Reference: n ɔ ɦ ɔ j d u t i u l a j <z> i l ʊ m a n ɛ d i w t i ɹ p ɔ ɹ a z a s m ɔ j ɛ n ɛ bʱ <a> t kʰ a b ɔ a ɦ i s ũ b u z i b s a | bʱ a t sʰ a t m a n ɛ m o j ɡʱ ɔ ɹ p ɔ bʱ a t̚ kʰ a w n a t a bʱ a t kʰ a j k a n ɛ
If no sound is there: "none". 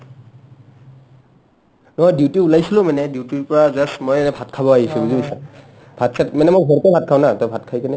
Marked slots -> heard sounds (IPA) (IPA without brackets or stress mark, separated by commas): s, a